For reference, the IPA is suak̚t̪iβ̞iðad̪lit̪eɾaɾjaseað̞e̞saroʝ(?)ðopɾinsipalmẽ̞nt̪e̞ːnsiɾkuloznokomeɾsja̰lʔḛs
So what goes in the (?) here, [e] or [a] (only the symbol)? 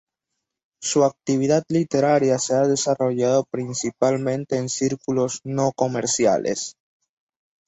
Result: a